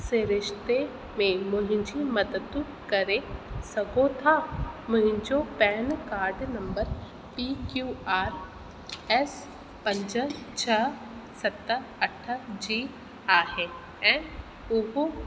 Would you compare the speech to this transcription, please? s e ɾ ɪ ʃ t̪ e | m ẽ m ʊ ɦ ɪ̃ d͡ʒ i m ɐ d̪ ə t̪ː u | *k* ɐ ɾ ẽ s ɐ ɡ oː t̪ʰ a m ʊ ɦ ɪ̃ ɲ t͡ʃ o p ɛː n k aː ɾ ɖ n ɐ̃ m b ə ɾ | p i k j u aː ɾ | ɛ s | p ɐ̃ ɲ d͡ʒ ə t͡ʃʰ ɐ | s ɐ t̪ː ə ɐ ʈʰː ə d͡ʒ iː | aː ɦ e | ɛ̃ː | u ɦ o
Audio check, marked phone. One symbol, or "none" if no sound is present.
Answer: k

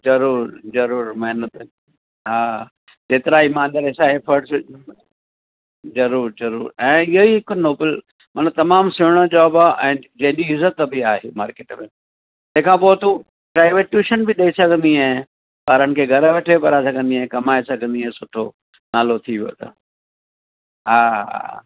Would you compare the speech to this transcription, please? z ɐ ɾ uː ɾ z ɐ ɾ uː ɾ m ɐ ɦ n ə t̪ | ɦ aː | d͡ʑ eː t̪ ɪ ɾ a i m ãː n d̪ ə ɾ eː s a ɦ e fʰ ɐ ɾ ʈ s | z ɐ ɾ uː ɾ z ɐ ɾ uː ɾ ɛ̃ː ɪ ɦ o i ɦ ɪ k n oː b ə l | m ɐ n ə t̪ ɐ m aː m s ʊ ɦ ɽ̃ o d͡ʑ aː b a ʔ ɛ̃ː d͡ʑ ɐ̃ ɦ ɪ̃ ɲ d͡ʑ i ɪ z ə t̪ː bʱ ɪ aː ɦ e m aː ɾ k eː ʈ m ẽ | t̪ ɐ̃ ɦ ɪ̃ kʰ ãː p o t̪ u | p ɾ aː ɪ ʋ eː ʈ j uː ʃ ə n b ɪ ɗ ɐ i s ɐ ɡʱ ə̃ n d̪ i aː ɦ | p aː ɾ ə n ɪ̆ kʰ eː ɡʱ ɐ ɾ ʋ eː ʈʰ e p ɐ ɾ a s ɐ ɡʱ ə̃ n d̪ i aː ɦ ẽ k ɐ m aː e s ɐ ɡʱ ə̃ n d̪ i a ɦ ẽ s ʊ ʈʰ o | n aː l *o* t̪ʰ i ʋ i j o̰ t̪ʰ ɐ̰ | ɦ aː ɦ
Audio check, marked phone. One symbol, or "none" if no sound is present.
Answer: o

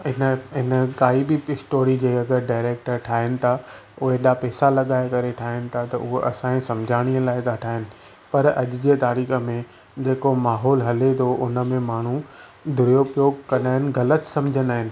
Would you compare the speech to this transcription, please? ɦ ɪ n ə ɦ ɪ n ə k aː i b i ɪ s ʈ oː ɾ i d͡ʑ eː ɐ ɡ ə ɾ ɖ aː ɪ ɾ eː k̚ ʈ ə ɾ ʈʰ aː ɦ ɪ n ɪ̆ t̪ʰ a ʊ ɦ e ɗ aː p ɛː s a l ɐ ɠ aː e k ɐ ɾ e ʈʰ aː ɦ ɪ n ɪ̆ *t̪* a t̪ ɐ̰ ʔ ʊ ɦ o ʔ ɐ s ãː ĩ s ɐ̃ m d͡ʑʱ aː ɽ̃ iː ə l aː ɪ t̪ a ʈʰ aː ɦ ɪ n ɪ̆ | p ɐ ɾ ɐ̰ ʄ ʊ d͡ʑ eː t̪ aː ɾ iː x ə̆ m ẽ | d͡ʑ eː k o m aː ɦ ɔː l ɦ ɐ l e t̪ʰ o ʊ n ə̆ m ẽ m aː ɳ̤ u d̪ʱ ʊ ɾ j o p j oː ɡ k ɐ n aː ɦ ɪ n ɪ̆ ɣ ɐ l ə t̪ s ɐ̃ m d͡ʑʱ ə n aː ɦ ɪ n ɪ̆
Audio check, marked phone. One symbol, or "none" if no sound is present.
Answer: t̪ʰ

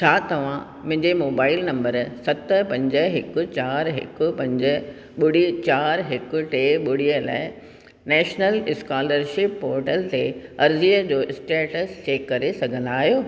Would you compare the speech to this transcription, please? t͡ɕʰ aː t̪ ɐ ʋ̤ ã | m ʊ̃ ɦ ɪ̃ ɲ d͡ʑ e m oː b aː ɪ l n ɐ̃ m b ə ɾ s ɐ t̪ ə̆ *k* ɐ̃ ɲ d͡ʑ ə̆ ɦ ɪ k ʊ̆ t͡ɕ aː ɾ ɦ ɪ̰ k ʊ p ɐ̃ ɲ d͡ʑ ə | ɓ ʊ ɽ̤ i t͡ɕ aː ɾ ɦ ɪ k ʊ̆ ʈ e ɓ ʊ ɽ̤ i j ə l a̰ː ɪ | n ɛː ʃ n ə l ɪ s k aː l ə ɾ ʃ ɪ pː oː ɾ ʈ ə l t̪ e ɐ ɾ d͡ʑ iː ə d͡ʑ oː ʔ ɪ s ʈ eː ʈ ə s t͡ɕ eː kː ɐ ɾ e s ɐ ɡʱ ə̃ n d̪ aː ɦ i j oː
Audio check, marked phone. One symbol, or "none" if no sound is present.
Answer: p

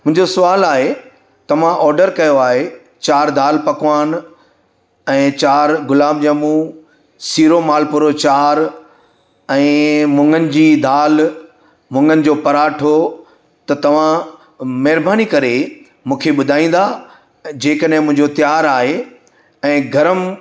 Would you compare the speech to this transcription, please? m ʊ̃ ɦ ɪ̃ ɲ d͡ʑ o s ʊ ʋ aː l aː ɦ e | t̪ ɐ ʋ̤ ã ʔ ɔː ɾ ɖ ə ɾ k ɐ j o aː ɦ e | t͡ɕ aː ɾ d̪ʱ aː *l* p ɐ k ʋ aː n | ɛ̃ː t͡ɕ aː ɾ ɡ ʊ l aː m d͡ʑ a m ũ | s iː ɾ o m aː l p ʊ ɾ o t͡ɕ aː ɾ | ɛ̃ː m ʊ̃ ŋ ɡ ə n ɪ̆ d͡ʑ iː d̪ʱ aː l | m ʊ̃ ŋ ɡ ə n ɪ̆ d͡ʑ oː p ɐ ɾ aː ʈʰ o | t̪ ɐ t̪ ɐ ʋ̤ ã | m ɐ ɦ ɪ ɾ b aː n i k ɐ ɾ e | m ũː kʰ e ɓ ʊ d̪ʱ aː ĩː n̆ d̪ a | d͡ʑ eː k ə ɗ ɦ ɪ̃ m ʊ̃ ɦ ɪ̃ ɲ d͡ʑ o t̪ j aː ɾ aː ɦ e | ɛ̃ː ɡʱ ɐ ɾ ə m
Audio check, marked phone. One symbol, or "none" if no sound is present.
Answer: l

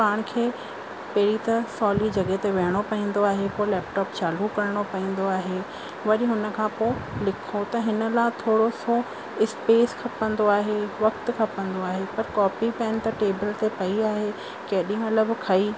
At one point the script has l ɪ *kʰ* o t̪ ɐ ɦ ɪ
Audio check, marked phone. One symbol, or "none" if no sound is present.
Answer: kʰ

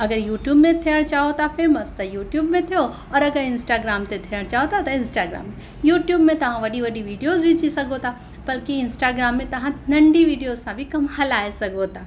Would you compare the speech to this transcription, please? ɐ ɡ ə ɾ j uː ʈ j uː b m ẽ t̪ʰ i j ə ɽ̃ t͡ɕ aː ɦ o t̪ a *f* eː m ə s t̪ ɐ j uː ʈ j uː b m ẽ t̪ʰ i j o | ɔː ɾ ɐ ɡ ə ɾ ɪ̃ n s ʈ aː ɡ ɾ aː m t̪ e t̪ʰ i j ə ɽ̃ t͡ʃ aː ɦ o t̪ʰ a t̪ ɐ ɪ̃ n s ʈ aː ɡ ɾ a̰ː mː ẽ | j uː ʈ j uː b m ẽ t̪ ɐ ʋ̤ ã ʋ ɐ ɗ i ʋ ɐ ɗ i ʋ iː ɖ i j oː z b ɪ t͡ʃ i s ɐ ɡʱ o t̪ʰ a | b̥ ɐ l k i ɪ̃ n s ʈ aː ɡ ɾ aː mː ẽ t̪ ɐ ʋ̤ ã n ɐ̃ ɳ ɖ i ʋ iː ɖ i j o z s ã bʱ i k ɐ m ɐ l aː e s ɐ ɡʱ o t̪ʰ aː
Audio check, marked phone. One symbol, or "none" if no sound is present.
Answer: f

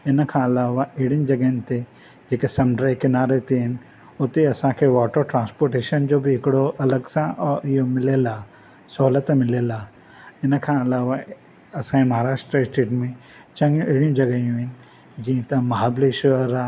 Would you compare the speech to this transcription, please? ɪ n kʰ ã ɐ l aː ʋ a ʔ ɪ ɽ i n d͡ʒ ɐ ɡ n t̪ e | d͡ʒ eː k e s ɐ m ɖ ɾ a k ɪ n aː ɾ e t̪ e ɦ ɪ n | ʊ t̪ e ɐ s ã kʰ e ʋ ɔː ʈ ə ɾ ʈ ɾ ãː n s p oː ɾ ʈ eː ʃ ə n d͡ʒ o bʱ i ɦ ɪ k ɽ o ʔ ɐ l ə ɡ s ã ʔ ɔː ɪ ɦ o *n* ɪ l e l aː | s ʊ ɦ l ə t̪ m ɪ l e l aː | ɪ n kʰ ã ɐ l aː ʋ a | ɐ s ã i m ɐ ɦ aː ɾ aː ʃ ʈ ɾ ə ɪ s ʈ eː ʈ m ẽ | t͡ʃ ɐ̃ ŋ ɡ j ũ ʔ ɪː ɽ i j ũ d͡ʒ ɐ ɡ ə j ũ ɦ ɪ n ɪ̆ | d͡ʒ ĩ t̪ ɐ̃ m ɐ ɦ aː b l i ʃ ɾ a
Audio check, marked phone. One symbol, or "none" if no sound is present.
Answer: m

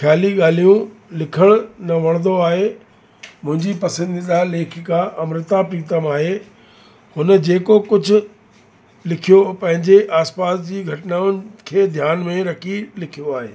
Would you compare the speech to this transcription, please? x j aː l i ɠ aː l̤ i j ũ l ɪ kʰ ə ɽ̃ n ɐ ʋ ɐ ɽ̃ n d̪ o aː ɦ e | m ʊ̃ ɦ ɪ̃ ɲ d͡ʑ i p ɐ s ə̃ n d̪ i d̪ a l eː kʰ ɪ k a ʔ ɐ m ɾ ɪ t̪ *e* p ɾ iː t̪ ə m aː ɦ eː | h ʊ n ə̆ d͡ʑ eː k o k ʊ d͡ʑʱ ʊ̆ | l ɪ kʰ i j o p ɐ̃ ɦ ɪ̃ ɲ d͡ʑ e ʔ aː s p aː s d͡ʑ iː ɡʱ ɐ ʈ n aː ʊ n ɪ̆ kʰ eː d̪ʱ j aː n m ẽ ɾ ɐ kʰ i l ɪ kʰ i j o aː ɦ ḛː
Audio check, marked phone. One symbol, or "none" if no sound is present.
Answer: a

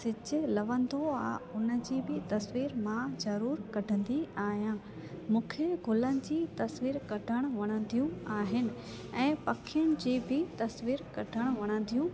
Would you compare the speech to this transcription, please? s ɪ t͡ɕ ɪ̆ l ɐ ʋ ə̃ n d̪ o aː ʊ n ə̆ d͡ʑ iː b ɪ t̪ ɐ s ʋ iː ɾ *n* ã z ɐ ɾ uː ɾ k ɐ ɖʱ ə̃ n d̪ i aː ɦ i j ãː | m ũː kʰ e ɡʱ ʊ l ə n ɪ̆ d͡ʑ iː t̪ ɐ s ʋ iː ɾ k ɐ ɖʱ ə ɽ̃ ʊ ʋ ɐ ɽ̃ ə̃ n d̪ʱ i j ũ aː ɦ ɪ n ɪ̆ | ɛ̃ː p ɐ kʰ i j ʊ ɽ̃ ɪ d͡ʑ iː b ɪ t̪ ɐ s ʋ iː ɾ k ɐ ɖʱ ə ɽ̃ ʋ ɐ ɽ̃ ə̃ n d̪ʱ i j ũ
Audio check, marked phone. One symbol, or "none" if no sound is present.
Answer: m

